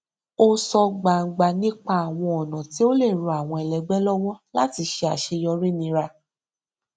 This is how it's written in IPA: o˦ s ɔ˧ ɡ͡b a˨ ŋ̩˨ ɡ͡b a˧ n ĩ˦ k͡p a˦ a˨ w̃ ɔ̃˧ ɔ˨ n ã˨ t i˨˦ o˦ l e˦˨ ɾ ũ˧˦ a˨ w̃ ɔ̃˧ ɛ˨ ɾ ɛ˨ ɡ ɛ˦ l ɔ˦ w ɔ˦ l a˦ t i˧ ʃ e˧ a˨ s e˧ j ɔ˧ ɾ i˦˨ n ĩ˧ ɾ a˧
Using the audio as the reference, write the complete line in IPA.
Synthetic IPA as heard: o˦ s ɔ˧ ɡ͡b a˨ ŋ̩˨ ɡ͡b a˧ n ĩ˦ k͡p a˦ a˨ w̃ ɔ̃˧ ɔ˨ n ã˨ t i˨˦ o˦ l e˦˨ ɾ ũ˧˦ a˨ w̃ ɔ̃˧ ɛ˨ l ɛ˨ ɡ͡b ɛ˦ l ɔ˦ w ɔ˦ l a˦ t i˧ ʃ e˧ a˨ ʃ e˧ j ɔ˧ ɾ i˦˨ n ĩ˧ ɾ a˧